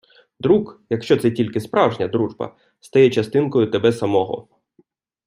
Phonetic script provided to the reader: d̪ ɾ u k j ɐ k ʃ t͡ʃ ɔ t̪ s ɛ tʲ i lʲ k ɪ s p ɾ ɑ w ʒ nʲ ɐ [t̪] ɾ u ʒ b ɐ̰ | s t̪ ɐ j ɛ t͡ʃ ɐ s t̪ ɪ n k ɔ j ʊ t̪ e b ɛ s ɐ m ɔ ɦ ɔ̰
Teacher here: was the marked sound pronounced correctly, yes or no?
no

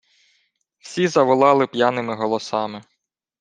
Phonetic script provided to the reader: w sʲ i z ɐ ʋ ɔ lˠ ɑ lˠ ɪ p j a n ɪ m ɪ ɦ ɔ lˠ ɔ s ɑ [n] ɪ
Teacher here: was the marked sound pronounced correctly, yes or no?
no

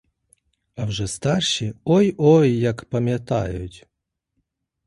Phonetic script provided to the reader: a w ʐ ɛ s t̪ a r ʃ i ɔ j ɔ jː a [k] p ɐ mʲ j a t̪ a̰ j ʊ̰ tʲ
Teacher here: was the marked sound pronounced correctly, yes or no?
yes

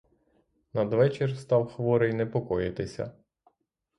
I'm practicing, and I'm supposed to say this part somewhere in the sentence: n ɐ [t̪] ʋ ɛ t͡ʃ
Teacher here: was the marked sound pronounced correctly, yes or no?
no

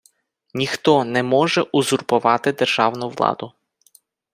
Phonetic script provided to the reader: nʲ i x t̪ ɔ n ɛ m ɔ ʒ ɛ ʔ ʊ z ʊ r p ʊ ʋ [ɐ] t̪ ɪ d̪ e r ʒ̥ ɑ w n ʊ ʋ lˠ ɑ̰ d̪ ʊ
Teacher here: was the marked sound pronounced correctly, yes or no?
no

